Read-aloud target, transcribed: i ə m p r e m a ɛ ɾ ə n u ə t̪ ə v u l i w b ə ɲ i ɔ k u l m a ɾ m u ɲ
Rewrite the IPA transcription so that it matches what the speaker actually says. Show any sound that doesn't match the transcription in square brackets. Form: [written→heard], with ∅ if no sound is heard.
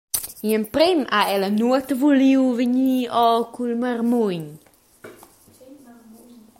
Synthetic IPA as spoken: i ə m p [r→ɾ] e m a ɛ [ɾ→l] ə n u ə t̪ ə v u l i w [b→v] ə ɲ i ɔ k u l m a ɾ m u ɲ